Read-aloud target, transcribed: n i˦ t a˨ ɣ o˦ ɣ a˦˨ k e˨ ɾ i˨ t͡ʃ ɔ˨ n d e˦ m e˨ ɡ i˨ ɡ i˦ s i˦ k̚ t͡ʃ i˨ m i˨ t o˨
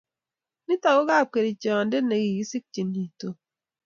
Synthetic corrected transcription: n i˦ t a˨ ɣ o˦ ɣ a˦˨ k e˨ ɾ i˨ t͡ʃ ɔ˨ n d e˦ n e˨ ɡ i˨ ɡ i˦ s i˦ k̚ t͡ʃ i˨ n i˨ t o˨